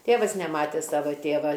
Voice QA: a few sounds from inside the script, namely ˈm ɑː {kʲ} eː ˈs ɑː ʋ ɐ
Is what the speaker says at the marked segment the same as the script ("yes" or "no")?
no